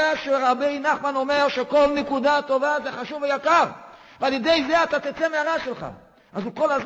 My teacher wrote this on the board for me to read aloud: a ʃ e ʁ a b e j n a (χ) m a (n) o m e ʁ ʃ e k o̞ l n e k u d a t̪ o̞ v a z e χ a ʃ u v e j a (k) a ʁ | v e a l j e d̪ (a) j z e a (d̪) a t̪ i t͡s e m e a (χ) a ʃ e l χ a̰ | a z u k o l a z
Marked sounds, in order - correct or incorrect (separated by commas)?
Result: correct, correct, correct, incorrect, incorrect, incorrect